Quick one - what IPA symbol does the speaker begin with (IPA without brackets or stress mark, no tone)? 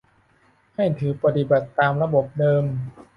h